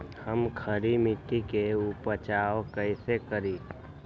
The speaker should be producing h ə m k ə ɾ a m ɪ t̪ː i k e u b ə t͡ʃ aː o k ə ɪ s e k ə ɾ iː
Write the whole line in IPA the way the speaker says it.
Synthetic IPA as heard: h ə m kʰ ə ɾ i m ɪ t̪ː i k e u p ə t͡ʃ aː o k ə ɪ s e k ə ɾ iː